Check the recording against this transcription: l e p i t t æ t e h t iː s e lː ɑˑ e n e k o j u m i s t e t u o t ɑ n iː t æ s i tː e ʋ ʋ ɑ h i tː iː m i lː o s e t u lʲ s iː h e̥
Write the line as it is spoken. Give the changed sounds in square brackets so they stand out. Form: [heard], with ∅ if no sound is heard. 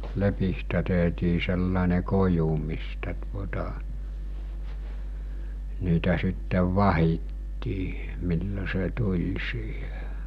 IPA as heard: l e p i [s] t æ t e h t iː s e lː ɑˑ e n e k o j u m i s t [æ] t u o t ɑ n iː t æ s i tː e ʋ ʋ ɑ h i tː iː m i lː o s e t u lʲ s iː h e̥